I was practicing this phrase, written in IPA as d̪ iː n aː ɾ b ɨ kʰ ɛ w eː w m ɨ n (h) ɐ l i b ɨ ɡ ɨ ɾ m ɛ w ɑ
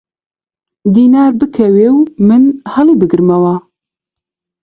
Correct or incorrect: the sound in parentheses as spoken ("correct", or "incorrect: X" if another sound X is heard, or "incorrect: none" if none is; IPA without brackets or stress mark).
correct